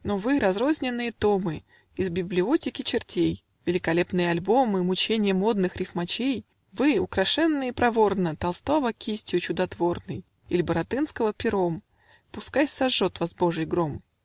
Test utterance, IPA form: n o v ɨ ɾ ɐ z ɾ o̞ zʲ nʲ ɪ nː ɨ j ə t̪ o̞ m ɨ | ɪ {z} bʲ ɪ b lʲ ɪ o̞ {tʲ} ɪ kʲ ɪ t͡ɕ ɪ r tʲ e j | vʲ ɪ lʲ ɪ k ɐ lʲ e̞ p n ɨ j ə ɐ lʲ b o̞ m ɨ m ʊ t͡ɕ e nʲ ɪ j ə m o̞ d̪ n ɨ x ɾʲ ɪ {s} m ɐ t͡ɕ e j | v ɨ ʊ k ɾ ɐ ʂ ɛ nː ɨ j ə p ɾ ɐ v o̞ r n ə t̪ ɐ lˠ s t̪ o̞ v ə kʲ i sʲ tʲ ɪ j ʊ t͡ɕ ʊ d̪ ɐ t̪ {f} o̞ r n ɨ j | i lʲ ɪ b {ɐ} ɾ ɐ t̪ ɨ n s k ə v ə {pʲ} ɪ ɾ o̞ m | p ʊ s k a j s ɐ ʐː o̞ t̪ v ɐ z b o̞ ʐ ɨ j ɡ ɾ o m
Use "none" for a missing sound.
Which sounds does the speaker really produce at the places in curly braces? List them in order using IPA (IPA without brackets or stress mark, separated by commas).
z, tʲ, f, v, ə, pʲ